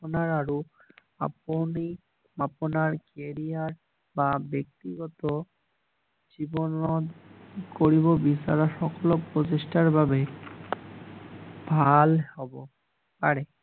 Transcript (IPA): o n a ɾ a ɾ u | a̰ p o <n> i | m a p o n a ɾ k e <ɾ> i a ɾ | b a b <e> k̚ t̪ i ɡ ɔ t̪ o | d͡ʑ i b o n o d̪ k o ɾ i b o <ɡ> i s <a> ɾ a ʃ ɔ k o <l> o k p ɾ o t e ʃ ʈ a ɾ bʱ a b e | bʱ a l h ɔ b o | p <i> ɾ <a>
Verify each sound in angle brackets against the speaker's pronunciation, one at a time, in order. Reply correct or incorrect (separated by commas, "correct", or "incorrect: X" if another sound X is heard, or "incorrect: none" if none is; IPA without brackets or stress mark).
correct, correct, correct, incorrect: b, correct, correct, incorrect: a, incorrect: e